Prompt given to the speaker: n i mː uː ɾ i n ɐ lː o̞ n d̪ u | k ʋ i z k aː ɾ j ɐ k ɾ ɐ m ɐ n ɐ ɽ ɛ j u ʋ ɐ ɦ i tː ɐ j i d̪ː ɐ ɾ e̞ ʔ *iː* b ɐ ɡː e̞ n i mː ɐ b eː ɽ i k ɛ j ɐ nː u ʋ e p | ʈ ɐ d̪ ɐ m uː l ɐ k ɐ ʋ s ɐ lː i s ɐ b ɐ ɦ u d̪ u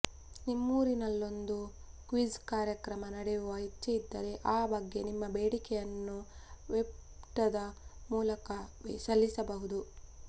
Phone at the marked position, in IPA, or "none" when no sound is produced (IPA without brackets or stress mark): aː